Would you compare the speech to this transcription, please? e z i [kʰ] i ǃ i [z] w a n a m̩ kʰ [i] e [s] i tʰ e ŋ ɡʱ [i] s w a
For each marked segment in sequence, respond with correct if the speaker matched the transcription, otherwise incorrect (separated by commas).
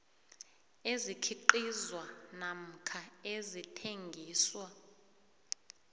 correct, correct, incorrect, incorrect, incorrect